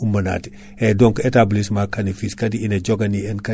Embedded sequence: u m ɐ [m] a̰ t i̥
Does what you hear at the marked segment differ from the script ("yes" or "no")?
yes